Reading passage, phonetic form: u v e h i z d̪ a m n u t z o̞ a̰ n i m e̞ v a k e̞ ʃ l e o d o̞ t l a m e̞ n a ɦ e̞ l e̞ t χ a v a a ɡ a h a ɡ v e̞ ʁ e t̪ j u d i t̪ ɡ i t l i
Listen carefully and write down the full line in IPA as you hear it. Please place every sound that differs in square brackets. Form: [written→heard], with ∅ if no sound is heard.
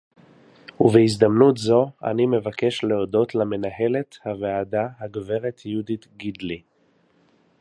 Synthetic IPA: u v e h i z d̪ a m n u t z o̞ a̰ n i m e̞ v a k e̞ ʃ l e o d o̞ t l a m e̞ n a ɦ e̞ l e̞ t [χ→h] a v [a→e] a [ɡ→d] a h a ɡ v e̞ ʁ e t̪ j u d i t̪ ɡ i [t→d] l i